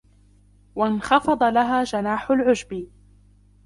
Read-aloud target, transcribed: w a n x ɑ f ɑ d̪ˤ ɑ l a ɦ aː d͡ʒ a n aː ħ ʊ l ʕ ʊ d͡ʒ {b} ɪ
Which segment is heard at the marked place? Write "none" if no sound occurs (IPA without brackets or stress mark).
b